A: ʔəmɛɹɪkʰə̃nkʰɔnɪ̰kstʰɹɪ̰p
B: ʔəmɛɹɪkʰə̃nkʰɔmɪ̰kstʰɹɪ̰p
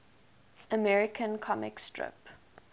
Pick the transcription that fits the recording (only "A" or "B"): B